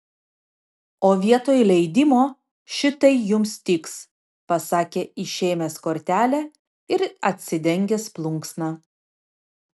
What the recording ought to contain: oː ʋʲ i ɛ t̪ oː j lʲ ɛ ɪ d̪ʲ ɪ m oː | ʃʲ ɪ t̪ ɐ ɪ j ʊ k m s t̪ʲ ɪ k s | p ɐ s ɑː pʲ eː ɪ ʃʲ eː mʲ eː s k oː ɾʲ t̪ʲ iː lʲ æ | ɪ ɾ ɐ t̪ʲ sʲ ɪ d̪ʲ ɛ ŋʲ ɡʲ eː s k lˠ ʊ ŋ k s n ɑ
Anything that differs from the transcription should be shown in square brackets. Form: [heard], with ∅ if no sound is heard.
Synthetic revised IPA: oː ʋʲ i ɛ t̪ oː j lʲ ɛ ɪ d̪ʲ ɪ m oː | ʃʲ ɪ t̪ ɐ ɪ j ʊ [∅] m s t̪ʲ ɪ k s | p ɐ s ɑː [kʲ] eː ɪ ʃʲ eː mʲ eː s k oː ɾʲ t̪ʲ [æː] lʲ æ | ɪ ɾ ɐ t̪ʲ sʲ ɪ d̪ʲ ɛ ŋʲ ɡʲ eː s [p] lˠ ʊ ŋ k s n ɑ

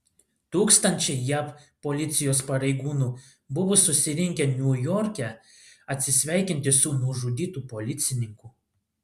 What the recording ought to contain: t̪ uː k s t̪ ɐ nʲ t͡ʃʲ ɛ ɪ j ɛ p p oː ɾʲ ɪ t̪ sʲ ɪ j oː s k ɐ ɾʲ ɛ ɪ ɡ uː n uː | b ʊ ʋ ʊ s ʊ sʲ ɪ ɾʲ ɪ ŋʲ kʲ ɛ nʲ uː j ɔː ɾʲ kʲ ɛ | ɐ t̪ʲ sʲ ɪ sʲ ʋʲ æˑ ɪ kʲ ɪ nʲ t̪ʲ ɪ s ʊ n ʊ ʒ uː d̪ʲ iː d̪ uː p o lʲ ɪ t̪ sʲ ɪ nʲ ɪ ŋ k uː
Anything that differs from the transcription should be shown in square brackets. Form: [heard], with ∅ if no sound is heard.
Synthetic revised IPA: t̪ uː k s t̪ ɐ nʲ t͡ʃʲ ɛ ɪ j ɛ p p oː [lʲ] ɪ t̪ sʲ ɪ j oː s [p] ɐ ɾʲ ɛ ɪ ɡ uː n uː | b ʊ ʋ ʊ s ʊ sʲ ɪ ɾʲ ɪ ŋʲ kʲ ɛ nʲ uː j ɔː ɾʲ kʲ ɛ | ɐ t̪ʲ sʲ ɪ sʲ ʋʲ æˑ ɪ kʲ ɪ nʲ t̪ʲ ɪ s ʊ n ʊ ʒ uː d̪ʲ iː [t̪] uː p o lʲ ɪ t̪ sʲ ɪ nʲ ɪ ŋ k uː

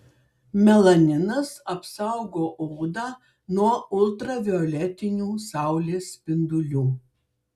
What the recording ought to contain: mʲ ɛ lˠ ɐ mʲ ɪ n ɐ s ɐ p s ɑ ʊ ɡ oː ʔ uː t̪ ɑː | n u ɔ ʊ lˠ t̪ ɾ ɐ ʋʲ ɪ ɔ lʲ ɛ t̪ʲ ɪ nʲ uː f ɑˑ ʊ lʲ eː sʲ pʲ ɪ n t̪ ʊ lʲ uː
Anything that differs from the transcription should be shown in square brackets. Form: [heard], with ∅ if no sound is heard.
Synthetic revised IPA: mʲ ɛ lˠ ɐ [nʲ] ɪ n ɐ s ɐ p s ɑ ʊ ɡ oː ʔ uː [d̪] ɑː | n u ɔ ʊ lˠ t̪ ɾ ɐ ʋʲ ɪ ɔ lʲ ɛ t̪ʲ ɪ nʲ uː [s] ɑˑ ʊ lʲ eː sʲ pʲ ɪ n [d̪] ʊ lʲ uː

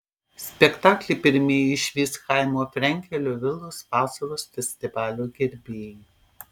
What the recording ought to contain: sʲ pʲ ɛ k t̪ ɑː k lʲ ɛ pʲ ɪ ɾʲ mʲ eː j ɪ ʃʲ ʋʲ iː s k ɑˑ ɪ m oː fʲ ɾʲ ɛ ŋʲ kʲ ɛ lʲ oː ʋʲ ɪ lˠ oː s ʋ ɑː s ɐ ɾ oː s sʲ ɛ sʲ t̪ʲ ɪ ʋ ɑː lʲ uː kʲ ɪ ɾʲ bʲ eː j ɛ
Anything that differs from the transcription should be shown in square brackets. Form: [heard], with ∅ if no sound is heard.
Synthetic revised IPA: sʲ pʲ ɛ k t̪ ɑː k lʲ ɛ pʲ ɪ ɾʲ mʲ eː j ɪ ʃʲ ʋʲ iː s k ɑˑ ɪ m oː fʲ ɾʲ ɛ ŋʲ kʲ ɛ lʲ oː ʋʲ ɪ lˠ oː s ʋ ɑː s ɐ ɾ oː s [fʲ] ɛ sʲ t̪ʲ ɪ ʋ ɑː lʲ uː [ɡʲ] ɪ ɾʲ bʲ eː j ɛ

